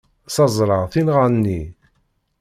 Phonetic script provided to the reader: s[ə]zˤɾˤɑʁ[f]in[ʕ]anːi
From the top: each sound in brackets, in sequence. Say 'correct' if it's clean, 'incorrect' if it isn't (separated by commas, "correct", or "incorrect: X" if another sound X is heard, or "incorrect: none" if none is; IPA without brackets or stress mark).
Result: incorrect: ɑ, incorrect: θ, incorrect: ʁ